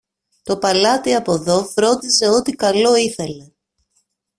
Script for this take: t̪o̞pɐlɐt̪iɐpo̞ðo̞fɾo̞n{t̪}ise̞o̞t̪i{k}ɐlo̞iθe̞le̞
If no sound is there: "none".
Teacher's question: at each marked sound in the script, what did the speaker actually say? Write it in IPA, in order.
d̪, k

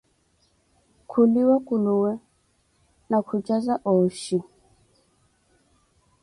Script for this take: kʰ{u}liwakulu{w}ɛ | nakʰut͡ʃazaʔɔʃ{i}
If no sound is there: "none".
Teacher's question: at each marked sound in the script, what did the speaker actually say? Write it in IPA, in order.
u, w, i

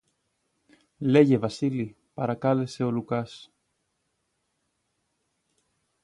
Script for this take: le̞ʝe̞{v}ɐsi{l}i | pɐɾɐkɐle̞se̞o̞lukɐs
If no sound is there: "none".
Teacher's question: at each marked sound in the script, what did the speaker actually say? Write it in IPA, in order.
v, l

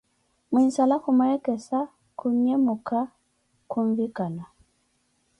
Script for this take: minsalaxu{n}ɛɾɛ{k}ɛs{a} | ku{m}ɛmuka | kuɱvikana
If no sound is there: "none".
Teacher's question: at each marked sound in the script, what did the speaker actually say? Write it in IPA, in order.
m, k, a, ɲ

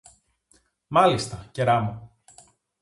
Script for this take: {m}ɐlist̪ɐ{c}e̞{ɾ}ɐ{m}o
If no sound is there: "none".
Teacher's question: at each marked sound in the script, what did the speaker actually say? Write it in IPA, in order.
m, c, ɾ, m

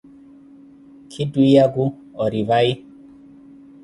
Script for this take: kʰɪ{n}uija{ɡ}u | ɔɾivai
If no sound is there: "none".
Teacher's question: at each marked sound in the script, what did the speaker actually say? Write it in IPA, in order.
d, ɡ

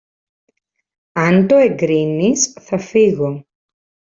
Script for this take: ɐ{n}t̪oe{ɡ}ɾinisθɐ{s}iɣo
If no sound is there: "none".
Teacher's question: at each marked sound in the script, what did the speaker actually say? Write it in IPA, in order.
n, ɡ, f

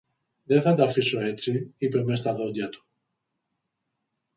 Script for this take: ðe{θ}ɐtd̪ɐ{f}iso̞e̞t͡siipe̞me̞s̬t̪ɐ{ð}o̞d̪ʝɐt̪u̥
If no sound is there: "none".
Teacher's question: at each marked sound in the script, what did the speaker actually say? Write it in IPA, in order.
θ, f, ð

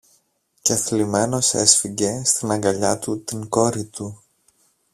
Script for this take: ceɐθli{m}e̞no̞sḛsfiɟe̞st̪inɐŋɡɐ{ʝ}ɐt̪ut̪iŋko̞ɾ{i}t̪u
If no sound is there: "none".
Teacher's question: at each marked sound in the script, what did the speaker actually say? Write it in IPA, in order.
m, ʎ, i

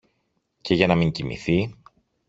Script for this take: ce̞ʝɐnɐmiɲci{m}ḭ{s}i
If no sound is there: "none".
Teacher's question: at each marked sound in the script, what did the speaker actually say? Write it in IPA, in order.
m, θ

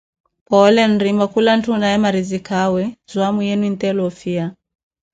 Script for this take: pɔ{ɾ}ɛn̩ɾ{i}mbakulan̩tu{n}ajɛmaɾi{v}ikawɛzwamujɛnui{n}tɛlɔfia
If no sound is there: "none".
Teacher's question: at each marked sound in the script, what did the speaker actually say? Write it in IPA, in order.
l, i, n, z, n

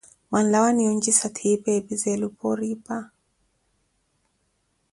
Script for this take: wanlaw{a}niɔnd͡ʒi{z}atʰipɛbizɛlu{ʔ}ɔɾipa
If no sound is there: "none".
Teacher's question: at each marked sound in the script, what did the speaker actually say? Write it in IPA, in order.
a, s, p

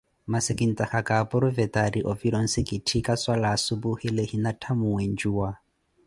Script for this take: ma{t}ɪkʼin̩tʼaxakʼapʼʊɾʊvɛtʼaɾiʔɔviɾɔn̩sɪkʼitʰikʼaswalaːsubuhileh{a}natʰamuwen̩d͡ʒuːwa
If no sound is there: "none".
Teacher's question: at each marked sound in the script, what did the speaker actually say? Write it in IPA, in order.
s, i

